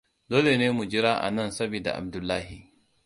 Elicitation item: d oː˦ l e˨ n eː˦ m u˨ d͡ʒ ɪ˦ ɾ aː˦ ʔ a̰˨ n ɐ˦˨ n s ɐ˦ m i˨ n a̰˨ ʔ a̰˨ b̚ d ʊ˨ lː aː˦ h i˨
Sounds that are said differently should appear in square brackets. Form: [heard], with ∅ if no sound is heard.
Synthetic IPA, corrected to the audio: d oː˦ l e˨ n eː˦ m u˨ d͡ʒ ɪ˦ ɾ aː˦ ʔ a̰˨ n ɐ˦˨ n s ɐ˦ [b] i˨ [d] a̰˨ ʔ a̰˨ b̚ d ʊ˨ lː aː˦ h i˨